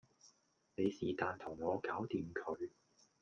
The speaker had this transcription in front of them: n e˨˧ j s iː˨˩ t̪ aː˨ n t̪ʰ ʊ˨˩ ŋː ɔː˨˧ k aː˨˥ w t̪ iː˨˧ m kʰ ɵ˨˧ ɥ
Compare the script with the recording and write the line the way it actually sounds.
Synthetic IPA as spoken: n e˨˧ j s iː˨˩ t̪ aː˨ n t̪ʰ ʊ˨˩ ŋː ɔː˨˧ k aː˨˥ w t̪ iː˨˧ m kʰ ɵ˨˧ ɥ

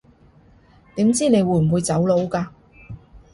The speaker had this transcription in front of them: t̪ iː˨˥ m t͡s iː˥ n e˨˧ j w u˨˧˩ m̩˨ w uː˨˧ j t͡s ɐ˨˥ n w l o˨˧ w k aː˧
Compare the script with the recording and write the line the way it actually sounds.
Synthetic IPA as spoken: t̪ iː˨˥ m t͡s iː˥ n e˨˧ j w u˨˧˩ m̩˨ w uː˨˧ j t͡s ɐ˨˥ w l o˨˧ w k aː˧

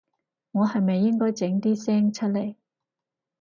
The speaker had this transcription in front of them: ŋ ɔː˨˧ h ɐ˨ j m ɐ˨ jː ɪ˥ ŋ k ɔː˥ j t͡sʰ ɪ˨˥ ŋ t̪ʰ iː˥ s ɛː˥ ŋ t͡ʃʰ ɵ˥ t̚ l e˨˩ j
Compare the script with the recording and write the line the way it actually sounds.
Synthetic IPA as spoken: ŋ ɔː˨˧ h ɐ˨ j m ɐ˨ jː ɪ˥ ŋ k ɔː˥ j t͡s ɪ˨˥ ŋ t̪ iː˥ s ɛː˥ ŋ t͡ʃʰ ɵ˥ t̚ l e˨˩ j

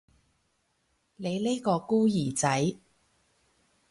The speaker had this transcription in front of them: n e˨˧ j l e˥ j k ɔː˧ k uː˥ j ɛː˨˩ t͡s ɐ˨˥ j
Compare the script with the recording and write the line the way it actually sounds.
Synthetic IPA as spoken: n e˨˧ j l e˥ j k ɔː˧ k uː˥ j iː˨˩ t͡s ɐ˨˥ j

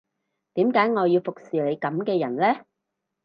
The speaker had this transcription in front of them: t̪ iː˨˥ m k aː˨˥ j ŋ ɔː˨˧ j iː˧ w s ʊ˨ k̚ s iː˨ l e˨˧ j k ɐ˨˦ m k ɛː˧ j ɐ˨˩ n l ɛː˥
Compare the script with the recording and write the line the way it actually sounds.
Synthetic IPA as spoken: t̪ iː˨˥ m k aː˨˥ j ŋ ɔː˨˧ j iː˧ w f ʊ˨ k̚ s iː˨ l e˨˧ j k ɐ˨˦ m k ɛː˧ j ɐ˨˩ n l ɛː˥

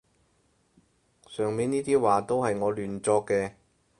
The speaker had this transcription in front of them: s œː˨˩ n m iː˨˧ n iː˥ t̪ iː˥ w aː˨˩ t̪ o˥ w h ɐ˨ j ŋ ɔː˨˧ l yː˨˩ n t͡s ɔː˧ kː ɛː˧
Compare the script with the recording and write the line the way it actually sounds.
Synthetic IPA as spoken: s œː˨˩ ŋ m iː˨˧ n iː˥ t̪ iː˥ w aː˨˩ t̪ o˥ w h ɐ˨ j ŋ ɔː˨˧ l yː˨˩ n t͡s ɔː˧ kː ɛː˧

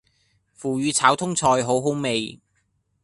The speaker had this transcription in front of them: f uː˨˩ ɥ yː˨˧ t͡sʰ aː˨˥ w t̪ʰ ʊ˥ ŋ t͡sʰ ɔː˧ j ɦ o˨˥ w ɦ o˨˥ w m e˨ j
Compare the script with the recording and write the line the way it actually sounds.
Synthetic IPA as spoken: f uː˨˩ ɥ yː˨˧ t͡sʰ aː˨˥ w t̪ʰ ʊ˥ ŋ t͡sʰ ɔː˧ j ɦ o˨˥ w ɦ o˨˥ w m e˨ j

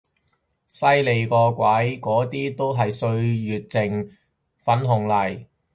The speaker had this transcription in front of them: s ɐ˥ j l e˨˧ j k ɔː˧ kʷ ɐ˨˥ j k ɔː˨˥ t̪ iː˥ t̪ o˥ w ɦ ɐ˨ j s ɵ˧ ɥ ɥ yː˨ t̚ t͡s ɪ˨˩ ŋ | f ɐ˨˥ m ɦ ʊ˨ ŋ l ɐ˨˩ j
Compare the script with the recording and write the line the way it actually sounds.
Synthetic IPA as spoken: s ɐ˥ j l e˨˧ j k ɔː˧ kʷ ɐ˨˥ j k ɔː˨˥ t̪ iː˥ t̪ o˥ w ɦ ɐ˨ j s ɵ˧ ɥ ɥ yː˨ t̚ t͡s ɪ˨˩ ŋ | f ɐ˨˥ n ɦ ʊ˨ ŋ l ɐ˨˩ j

